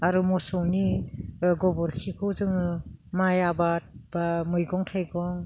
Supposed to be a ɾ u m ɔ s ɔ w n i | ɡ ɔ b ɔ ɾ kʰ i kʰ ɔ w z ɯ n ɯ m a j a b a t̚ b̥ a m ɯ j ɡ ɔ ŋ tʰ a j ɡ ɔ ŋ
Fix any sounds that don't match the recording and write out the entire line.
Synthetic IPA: a ɾ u m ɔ s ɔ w n i | ɡ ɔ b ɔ ɾ kʰ i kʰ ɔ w z ɯ ŋ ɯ m a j a b a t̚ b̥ a m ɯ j ɡ ɔ ŋ tʰ a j ɡ ɔ ŋ